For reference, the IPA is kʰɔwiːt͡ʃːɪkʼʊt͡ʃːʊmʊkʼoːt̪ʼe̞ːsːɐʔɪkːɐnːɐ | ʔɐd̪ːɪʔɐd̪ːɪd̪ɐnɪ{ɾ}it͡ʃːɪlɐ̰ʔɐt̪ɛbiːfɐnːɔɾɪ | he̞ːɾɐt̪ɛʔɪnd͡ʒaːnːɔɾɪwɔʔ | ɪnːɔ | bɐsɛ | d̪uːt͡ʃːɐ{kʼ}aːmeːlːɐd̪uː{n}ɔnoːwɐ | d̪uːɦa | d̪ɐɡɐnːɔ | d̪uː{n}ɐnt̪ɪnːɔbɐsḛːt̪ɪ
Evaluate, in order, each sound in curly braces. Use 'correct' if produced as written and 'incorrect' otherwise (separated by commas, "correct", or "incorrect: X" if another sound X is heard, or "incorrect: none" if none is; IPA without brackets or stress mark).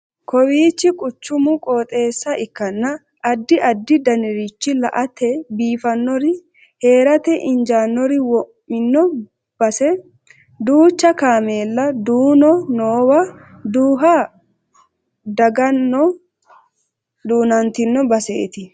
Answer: correct, incorrect: k, correct, correct